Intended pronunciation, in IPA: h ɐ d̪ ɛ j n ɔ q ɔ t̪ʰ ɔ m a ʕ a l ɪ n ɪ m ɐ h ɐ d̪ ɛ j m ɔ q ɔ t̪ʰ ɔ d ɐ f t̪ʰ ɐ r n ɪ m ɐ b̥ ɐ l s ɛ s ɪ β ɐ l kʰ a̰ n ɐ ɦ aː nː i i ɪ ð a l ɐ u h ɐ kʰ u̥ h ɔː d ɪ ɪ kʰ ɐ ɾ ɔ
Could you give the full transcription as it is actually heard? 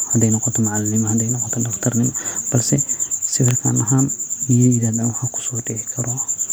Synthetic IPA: h ɐ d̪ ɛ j n ɔ q ɔ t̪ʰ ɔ m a ʕ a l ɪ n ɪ m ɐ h ɐ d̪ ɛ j n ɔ q ɔ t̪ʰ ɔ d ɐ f t̪ʰ ɐ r n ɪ m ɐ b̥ ɐ l s ɛ s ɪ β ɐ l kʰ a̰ n ɐ ɦ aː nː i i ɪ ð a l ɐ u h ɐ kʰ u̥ s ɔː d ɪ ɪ kʰ ɐ ɾ ɔ